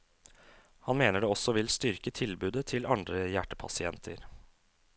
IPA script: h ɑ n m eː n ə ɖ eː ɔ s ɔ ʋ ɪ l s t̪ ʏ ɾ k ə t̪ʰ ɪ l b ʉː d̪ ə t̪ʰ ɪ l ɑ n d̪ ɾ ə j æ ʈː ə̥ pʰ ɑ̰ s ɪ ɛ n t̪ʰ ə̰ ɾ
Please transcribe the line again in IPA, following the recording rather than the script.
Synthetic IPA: h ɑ n m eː n ə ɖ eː ɔ s ɔ ʋ ɪ l s t̪ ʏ ɾ k ə t̪ʰ ɪ l b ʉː d̪ ə t̪ʰ ɪ l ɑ n d̪ ɾ ə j æ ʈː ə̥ pʰ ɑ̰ s ɪ ɛ n t̪ʰ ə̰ ɾ